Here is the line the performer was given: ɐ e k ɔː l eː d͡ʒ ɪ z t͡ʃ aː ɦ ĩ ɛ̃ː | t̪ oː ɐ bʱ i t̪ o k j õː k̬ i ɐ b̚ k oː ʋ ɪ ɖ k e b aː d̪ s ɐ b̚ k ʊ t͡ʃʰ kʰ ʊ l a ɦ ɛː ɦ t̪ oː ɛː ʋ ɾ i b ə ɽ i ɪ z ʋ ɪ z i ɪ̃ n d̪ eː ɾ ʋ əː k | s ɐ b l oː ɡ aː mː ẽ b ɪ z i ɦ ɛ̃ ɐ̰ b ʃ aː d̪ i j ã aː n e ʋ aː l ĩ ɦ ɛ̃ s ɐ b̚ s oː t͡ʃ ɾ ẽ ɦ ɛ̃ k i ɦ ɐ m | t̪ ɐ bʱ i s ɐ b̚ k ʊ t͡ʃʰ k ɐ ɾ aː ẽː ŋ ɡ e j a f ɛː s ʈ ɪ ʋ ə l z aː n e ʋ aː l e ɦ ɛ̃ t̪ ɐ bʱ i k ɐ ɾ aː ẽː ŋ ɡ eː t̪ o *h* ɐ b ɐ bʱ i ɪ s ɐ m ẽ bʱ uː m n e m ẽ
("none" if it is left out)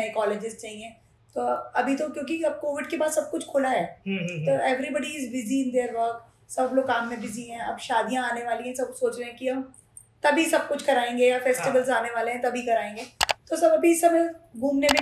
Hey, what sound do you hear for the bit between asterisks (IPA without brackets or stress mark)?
s